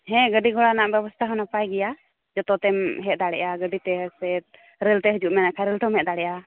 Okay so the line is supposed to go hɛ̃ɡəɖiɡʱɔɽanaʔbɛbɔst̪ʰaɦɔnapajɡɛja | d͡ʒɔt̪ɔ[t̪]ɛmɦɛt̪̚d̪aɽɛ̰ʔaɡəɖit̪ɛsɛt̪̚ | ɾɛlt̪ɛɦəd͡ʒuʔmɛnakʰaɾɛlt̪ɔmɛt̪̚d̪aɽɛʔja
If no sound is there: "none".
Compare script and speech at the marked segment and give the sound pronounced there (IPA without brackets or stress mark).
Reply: t̪